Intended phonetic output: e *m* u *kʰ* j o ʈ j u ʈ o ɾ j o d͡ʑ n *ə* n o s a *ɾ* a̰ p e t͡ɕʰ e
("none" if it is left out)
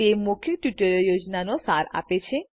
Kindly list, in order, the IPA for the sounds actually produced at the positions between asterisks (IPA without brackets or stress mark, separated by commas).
m, kʰ, a, ɾ